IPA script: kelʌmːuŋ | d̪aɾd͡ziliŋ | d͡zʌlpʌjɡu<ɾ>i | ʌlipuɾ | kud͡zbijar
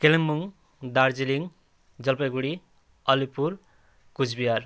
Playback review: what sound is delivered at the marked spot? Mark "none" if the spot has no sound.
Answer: ɽ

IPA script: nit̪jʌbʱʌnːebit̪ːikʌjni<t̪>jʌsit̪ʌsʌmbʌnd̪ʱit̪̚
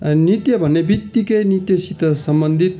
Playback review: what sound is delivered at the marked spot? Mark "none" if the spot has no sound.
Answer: t̪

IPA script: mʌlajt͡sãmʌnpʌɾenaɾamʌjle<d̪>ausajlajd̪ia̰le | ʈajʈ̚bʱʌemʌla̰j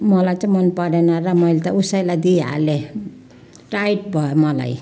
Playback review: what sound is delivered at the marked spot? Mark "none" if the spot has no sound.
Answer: t̪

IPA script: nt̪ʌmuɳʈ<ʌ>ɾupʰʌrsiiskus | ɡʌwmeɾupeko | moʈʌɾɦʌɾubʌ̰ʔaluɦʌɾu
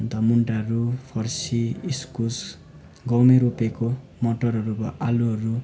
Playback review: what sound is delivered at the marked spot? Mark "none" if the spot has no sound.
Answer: a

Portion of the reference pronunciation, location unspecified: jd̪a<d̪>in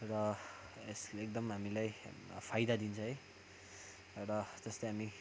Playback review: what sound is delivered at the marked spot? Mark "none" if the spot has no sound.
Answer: d̪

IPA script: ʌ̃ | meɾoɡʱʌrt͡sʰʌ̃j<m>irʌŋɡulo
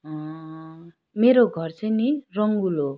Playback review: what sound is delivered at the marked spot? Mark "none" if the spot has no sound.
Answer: n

